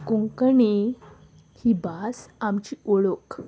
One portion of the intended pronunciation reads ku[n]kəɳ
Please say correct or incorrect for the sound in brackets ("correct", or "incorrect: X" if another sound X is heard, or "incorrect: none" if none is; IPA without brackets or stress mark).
incorrect: ŋ